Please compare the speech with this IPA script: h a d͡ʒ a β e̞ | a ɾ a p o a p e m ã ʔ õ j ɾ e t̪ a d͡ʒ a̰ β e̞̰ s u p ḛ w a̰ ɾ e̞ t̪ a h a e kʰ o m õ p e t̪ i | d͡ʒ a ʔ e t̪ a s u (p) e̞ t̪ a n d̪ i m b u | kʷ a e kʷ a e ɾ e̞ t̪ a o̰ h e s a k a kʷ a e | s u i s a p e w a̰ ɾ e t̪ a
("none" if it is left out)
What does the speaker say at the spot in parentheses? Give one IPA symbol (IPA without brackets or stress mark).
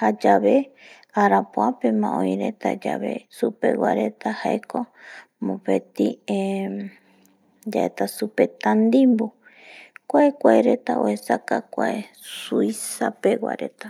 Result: p